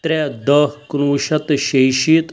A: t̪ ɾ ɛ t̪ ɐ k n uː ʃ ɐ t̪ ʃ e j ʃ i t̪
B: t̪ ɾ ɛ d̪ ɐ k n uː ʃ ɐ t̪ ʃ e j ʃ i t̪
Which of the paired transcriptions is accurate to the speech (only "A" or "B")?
B